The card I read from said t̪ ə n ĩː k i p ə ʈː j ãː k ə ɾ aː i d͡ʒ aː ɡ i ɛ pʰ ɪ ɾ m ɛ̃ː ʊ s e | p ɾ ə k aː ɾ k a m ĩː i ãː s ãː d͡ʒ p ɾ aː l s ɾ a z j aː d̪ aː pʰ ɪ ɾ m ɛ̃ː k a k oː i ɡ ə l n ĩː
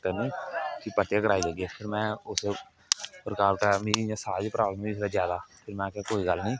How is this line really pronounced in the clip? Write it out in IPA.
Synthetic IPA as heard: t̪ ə n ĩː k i p ə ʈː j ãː k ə ɾ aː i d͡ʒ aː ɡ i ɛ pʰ ɪ ɾ m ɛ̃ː ʊ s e | p ɾ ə k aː ɾ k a m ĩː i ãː s aː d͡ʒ p ɾ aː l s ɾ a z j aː d̪ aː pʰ ɪ ɾ m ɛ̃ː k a k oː i ɡ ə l n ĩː